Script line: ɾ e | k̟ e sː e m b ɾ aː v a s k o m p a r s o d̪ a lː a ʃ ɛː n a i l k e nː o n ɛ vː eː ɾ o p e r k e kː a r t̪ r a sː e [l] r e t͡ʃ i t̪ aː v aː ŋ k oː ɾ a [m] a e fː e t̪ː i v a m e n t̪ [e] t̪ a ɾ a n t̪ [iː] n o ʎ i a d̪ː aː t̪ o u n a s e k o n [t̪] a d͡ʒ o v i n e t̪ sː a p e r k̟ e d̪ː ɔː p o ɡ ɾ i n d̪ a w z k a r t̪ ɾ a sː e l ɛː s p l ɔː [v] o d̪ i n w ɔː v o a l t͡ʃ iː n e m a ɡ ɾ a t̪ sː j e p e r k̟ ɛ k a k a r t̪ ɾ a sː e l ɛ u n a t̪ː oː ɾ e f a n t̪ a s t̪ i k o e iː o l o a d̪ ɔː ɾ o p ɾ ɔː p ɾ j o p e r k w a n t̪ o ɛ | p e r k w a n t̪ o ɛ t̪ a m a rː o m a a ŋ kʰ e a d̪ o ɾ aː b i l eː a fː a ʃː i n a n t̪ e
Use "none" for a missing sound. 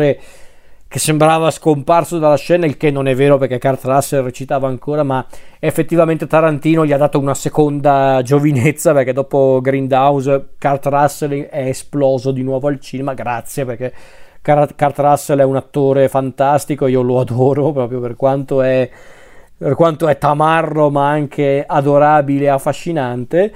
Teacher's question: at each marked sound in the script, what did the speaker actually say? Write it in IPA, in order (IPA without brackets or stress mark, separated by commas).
l, m, e, iː, d̪, z